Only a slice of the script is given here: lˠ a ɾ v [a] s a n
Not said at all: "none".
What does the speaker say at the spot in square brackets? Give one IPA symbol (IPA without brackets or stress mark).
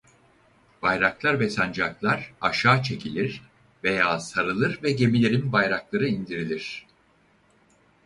ɛ